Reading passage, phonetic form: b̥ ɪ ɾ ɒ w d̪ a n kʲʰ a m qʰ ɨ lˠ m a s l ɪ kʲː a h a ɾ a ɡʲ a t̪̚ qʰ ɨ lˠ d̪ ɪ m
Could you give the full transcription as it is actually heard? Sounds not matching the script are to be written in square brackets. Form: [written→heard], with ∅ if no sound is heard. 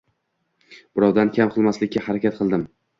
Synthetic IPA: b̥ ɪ ɾ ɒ w d̪ a n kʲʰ a m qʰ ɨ lˠ m a s l ɪ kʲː a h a ɾ a [ɡʲ→kʲ] a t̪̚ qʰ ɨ lˠ d̪ ɪ m